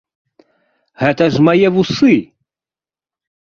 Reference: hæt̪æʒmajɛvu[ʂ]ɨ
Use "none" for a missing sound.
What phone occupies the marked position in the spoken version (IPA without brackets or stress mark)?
s